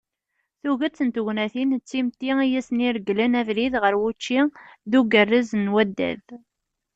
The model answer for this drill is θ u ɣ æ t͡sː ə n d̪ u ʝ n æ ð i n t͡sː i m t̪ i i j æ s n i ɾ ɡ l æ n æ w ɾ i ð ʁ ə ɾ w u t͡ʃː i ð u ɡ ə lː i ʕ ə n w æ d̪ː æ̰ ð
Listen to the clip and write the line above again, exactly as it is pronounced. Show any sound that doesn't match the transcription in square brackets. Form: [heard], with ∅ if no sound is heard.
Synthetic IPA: θ u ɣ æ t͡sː ə n [t̪] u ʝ n æ [θ] i n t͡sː i m t̪ i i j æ s n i ɾ ɡ l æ n æ [v] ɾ i ð ʁ ə ɾ w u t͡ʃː i ð u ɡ ə [rː] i [z] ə n w æ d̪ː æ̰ ð